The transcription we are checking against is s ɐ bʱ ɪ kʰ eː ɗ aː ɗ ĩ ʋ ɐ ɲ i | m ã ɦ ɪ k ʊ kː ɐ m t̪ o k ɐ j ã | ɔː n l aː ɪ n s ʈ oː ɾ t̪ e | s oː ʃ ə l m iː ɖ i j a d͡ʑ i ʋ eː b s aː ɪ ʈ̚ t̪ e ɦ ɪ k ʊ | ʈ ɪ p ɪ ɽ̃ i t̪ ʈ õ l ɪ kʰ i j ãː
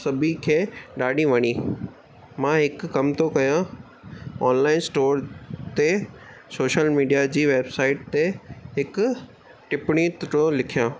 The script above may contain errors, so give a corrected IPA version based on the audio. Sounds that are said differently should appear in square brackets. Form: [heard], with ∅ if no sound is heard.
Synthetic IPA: s ɐ bʱ [i] kʰ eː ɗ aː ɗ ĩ ʋ ɐ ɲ i | m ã ɦ ɪ k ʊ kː ɐ m t̪ o k ɐ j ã | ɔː n l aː ɪ n s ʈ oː ɾ t̪ e | s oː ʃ ə l m iː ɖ i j a d͡ʑ [iː] ʋ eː b s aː ɪ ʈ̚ t̪ e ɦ ɪ k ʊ | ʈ ɪ p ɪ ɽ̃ i t̪ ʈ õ l ɪ kʰ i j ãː